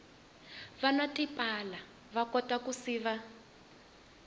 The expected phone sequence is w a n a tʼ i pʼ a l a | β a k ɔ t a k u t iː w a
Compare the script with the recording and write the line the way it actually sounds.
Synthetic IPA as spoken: β a n a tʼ i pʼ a l a | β a k ɔ t a k u s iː β a